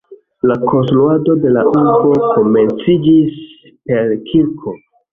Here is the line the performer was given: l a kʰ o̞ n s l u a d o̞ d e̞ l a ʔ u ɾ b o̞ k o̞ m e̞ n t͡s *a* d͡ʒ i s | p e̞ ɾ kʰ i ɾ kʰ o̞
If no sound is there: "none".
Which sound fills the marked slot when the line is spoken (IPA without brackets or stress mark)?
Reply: i